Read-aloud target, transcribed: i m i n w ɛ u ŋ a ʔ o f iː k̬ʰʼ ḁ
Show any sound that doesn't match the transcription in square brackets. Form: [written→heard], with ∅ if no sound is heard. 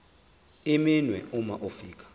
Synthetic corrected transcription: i m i n w ɛ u [ŋ→m] a ʔ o f iː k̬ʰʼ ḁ